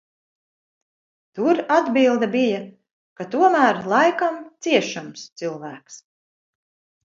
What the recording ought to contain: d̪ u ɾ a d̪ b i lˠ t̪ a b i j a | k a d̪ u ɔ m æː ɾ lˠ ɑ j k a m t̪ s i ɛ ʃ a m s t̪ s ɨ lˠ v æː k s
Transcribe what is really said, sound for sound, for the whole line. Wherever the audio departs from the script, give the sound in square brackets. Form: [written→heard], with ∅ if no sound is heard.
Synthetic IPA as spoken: [d̪→t̪] u ɾ a d̪ b i lˠ [t̪→d̪] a b i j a | k a [d̪→t̪] u ɔ m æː ɾ lˠ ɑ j k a m t̪ s i ɛ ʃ a m s t̪ s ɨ lˠ v æː k s